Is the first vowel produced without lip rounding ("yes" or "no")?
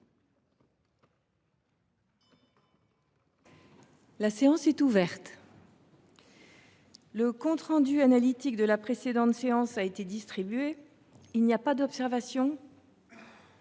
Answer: yes